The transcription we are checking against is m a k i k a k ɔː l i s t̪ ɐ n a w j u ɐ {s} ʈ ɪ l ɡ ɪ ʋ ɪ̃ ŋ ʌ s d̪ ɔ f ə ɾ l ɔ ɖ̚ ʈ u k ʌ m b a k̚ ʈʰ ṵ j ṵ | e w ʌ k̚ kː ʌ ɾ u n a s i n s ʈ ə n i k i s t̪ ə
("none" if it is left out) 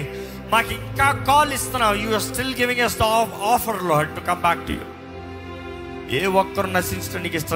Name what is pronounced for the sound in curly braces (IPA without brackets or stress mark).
s